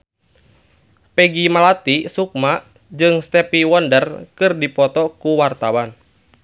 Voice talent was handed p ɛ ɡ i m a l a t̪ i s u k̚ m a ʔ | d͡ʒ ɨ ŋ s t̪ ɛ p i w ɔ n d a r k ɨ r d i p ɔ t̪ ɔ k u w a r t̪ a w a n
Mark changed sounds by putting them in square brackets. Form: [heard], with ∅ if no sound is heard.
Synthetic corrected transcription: p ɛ ɡ i m a l a t̪ i s u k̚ m a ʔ | d͡ʒ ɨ ŋ s t̪ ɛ p i w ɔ n d [ə] r k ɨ r d i p ɔ t̪ ɔ k u w a r t̪ a w a n